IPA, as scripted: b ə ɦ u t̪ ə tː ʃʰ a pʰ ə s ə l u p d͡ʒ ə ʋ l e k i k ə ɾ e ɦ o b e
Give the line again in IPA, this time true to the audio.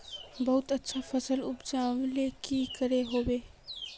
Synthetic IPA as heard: b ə ɦ u t̪ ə tː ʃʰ a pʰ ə s ə l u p d͡ʒ a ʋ l e k i k ə ɾ e ɦ o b e